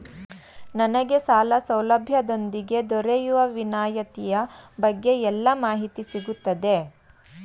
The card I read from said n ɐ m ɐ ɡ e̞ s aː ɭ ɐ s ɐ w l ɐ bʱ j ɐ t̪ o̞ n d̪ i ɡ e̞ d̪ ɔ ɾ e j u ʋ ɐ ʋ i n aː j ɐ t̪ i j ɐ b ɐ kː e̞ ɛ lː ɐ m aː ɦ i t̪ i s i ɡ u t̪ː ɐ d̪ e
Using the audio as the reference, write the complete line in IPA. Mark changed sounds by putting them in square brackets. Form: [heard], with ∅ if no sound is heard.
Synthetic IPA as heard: n ɐ [n] ɐ ɡ e̞ s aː [l] ɐ s ɐ w l ɐ bʱ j ɐ [d̪] o̞ n d̪ i ɡ e̞ d̪ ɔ ɾ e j u ʋ ɐ ʋ i n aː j ɐ t̪ i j ɐ b ɐ [ɡː] e̞ ɛ lː ɐ m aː ɦ i t̪ i s i ɡ u t̪ː ɐ d̪ e